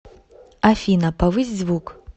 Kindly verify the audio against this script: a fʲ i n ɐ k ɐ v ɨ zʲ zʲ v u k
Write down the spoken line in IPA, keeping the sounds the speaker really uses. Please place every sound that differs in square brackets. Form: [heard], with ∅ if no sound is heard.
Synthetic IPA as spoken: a fʲ i n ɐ [p] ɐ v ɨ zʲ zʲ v u k